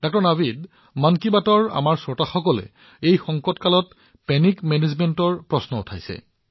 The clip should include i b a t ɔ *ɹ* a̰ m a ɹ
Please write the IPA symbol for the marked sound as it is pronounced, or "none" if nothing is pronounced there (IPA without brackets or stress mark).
ɹ